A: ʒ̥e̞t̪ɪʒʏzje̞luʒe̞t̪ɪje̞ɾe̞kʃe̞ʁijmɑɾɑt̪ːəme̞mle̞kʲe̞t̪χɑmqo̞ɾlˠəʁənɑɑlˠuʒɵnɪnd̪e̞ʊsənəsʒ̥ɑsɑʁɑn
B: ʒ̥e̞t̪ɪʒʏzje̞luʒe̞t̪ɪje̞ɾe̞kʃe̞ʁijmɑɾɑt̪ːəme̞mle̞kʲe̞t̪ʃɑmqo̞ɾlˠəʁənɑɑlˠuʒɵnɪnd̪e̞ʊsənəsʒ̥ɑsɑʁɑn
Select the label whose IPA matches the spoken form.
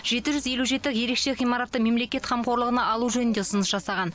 A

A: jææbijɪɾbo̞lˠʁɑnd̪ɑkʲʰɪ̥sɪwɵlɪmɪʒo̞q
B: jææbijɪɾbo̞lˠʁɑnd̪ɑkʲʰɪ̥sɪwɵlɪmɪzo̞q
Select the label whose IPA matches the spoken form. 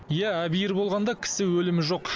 A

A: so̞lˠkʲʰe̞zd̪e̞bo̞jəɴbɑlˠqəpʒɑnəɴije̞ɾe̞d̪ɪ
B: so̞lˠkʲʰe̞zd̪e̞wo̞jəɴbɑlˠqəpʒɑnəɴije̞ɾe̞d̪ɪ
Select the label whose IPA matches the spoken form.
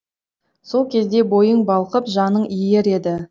A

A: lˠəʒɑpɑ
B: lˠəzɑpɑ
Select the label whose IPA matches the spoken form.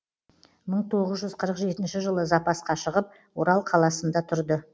B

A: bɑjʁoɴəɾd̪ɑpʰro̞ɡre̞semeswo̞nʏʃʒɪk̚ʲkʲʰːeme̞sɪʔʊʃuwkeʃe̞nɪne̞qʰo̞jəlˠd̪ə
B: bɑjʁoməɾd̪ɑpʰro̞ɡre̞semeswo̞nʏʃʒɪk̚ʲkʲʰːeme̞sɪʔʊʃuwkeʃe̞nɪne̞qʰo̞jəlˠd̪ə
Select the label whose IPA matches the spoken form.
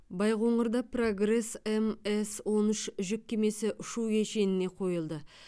A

